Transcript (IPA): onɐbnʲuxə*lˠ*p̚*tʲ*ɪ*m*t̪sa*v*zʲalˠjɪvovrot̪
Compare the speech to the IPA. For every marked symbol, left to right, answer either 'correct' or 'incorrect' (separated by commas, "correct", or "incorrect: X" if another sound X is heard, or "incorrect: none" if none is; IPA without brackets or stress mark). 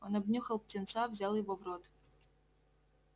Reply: correct, correct, incorrect: n, correct